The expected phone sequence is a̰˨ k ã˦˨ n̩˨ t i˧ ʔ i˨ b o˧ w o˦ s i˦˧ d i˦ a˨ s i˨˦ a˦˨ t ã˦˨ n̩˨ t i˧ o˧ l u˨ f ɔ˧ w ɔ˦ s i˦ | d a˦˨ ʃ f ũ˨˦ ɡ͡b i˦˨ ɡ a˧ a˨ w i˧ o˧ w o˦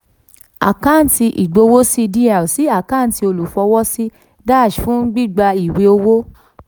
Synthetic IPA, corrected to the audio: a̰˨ k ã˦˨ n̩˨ t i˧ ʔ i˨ ɡ͡b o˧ w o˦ s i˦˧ d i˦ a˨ s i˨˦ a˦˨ k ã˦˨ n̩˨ t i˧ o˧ l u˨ f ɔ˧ w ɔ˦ s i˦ | d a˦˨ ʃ f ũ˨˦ ɡ͡b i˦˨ ɡ͡b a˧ i˨ w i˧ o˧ w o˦